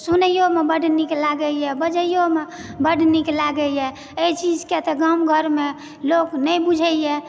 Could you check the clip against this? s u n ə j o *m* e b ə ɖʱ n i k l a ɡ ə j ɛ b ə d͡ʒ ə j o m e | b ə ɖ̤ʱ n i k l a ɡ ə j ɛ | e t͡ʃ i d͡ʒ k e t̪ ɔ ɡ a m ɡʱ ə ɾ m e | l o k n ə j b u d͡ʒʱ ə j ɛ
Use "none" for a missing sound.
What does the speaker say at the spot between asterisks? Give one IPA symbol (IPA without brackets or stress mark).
m